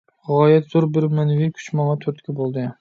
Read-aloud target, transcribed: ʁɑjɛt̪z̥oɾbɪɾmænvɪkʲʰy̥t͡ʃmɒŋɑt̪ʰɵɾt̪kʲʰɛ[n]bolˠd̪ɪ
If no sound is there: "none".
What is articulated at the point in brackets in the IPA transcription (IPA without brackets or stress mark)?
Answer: none